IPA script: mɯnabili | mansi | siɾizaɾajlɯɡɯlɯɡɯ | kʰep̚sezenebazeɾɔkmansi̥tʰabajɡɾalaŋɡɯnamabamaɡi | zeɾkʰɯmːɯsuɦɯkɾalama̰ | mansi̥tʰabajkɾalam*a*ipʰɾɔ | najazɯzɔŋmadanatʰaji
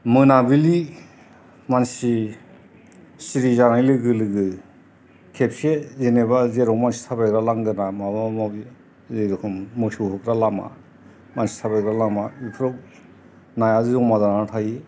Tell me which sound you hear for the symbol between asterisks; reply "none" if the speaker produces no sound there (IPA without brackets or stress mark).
a